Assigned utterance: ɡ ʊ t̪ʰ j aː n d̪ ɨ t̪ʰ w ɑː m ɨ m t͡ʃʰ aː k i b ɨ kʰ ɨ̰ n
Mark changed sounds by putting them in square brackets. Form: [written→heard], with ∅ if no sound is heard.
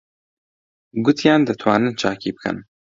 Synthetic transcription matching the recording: ɡ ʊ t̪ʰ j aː n d̪ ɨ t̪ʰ w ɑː [m→n] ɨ [m→n] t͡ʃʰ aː k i b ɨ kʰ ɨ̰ n

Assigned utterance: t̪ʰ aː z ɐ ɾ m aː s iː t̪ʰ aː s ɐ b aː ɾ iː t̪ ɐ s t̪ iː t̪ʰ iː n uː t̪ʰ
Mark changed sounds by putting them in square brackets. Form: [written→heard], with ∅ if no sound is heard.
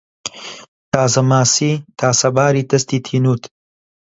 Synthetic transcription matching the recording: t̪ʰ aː z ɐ [ɾ→∅] m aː s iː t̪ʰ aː s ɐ b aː ɾ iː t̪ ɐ s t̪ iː t̪ʰ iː n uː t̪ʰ

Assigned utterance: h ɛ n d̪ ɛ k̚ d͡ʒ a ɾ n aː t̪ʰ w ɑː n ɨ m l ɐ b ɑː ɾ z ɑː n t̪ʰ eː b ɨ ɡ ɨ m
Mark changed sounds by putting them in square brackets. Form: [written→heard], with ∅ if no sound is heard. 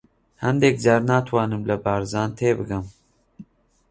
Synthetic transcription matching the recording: h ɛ n d̪ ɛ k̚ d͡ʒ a ɾ n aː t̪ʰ w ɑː n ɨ m l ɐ b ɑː ɾ z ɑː n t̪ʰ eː b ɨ ɡ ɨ m

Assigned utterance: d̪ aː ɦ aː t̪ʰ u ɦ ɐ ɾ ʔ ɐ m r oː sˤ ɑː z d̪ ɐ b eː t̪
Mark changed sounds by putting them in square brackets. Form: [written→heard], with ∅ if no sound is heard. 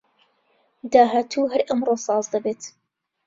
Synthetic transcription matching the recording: d̪ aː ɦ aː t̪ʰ u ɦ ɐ ɾ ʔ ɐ m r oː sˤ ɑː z d̪ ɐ b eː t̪

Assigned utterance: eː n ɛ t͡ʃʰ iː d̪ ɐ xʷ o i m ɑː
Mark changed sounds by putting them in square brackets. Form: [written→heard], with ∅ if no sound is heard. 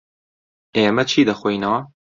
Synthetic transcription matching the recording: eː [n→m] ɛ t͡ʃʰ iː d̪ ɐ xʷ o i [m→n] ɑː

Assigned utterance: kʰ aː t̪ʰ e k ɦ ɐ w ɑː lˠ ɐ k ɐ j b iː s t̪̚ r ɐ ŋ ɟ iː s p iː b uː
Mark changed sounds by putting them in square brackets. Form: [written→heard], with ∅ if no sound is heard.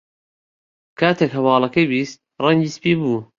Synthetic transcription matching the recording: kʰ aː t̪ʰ e k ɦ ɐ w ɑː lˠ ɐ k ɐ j b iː s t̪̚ r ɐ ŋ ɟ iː s p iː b uː

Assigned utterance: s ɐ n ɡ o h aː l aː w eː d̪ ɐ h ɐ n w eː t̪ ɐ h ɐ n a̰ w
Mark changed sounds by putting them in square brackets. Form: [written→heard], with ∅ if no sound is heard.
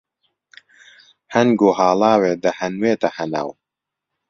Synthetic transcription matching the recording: [s→h] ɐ n ɡ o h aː l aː w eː d̪ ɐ h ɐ n w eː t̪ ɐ h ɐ n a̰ w

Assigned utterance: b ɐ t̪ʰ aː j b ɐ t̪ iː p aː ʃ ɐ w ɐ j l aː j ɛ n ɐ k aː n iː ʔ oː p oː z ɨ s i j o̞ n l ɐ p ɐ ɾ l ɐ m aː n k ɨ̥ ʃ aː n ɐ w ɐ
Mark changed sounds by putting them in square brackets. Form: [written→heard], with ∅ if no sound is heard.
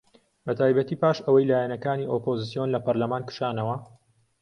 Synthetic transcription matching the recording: b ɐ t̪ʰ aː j b ɐ t̪ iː p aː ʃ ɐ w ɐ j l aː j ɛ n ɐ k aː n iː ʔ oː p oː z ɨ s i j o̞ n l ɐ p ɐ ɾ l ɐ m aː n k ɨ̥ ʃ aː n ɐ w ɐ

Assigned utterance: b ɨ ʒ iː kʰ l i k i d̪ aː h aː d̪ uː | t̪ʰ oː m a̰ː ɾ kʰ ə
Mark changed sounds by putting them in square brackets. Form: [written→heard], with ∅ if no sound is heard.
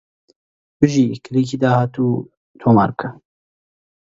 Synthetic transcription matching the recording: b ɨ ʒ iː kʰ l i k i d̪ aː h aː [d̪→t̪] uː | t̪ʰ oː m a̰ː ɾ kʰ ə

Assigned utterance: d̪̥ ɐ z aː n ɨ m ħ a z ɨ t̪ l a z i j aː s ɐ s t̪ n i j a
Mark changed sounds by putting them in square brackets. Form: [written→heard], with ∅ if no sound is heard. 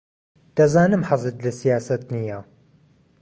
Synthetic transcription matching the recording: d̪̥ ɐ z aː n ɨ m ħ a z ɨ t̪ l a [z→s] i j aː s ɐ [s→∅] t̪ n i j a

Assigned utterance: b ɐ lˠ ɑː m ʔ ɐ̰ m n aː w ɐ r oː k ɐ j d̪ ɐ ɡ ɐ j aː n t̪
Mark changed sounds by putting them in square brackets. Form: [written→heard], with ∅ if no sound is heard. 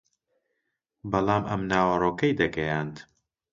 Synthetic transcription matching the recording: b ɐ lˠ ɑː m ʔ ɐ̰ m n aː w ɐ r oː k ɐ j d̪ ɐ ɡ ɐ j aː n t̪

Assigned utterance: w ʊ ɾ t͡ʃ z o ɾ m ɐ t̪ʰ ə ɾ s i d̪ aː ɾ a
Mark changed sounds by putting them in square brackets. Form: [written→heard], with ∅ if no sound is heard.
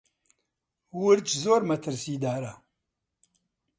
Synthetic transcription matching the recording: w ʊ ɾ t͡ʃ z o ɾ m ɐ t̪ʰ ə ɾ s i d̪ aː ɾ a

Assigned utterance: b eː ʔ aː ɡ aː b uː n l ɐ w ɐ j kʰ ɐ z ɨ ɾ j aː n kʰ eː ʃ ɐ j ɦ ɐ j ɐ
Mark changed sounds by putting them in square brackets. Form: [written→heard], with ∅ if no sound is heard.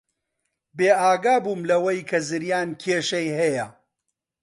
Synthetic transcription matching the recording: b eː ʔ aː ɡ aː b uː [n→m] l ɐ w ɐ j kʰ ɐ z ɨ ɾ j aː n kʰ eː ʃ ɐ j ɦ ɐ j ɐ

